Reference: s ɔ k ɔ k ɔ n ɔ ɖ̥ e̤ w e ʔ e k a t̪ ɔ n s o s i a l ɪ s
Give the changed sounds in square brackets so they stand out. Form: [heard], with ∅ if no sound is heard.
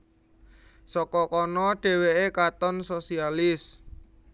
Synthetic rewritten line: s ɔ k ɔ k ɔ n ɔ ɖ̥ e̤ w e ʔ e k a t̪ ɔ n s o s i a l ɪ s